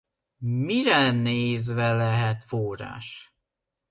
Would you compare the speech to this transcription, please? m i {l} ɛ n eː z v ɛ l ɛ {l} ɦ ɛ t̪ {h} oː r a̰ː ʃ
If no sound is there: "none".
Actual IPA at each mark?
ɾ, none, f

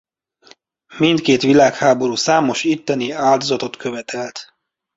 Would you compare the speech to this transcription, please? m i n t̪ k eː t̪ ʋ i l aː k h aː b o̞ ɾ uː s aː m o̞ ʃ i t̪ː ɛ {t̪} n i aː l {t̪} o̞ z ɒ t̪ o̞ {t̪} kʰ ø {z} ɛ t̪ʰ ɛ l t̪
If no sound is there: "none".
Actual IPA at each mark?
none, d̪, t̪, v

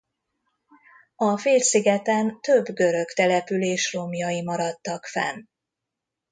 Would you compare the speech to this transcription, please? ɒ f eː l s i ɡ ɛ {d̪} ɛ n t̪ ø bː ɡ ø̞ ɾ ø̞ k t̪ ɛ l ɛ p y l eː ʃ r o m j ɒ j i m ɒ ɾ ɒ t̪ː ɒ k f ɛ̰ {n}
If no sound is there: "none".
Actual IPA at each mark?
t̪, n

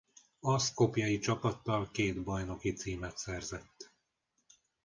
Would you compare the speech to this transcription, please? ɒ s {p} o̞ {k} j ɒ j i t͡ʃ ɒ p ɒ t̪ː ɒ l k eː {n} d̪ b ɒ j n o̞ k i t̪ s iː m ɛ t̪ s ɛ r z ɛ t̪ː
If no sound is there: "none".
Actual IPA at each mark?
k, p, none

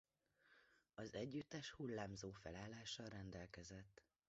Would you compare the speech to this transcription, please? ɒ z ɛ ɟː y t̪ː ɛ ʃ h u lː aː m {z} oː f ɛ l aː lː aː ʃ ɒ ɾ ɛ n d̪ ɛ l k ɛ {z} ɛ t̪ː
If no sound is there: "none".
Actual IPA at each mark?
z, z

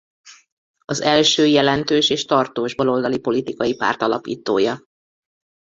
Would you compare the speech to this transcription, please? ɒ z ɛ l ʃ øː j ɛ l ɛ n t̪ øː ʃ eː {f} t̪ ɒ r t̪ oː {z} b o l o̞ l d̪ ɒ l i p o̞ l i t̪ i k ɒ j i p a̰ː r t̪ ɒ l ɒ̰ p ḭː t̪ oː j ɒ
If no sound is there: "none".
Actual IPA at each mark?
ʃ, ʒ

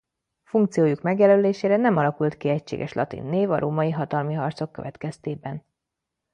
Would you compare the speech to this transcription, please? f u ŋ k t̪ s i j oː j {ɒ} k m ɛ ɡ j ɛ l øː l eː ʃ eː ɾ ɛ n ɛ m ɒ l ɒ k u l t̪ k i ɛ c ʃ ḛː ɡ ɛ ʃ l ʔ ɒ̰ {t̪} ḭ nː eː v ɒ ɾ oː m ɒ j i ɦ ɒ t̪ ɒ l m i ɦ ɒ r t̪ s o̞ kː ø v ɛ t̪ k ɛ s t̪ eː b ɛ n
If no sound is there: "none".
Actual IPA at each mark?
u, t̪

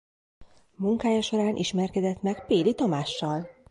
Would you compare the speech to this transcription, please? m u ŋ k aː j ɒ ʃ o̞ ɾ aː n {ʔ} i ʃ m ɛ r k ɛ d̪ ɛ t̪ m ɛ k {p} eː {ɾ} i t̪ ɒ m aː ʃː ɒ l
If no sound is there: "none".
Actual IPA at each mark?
ʔ, p, l

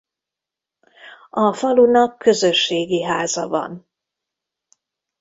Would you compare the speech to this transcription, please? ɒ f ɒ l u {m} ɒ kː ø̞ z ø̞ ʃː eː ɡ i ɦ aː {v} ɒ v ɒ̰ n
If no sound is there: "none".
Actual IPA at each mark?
n, z

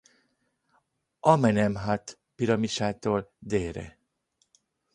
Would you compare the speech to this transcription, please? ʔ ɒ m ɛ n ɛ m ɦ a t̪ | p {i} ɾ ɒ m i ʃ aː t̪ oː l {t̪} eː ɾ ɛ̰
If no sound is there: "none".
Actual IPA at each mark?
i, d̪

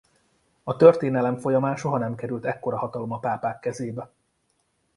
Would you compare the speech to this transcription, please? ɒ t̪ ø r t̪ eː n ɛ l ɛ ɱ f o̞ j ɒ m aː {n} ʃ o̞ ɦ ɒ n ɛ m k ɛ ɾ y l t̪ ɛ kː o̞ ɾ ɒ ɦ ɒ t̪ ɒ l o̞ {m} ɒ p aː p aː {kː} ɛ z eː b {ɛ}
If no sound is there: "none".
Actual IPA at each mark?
n, m, kː, ɛ

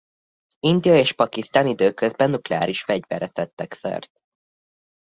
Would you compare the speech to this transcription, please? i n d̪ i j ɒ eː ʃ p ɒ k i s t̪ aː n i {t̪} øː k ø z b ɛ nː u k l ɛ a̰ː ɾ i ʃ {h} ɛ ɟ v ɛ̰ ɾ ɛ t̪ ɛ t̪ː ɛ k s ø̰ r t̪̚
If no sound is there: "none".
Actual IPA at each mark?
d̪, f

